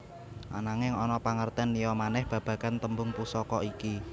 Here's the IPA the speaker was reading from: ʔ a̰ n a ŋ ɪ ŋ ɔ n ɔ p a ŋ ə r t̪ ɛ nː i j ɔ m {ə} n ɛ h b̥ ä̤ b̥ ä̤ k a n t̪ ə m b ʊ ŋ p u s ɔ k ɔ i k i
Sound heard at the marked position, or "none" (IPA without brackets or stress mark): a